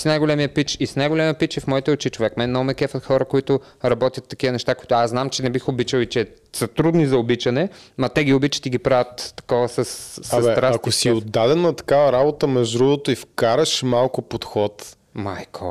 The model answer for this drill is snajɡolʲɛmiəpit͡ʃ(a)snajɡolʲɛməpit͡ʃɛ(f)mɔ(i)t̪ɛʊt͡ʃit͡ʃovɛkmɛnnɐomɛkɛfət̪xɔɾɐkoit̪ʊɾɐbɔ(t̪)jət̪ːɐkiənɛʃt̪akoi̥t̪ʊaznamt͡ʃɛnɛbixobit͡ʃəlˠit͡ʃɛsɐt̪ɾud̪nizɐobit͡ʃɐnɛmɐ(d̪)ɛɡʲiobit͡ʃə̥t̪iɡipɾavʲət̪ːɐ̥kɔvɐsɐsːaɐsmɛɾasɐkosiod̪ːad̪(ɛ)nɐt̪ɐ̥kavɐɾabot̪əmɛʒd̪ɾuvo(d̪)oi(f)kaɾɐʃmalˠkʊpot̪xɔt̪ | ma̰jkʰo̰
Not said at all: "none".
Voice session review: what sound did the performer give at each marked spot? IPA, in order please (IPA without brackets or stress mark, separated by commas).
i, f, i, t̪, t̪, ɛ, t̪, f